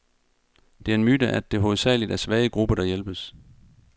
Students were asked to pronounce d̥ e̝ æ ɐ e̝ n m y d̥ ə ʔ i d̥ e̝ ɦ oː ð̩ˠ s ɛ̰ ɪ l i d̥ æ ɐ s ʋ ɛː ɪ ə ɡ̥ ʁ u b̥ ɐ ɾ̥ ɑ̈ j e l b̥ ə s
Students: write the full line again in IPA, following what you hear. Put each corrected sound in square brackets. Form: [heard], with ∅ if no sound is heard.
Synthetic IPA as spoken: d̥ e̝ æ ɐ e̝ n m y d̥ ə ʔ [æ] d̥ e̝ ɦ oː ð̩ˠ s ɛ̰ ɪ l i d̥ æ ɐ s ʋ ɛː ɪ ə ɡ̥ ʁ u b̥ ɐ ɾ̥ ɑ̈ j e l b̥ ə s